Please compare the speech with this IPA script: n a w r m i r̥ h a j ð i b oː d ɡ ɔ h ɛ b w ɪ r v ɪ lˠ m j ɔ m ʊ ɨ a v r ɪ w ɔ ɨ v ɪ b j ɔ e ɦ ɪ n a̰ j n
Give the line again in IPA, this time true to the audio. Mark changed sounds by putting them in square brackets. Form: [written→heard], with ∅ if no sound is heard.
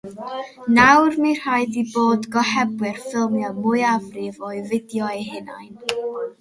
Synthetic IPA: n a w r m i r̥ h a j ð i b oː d ɡ ɔ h ɛ b w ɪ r [v→f] ɪ lˠ m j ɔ m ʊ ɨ a v r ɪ [w→v] ɔ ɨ v ɪ [b→d] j ɔ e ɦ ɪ n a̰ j n